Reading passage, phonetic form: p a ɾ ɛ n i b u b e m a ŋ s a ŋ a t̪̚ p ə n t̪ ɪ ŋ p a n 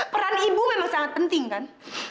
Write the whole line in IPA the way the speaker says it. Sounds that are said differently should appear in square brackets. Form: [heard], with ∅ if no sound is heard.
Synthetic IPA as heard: p [ə] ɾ [a] n i b u [m] e m a ŋ s a ŋ a t̪̚ p ə n t̪ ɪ ŋ [k] a n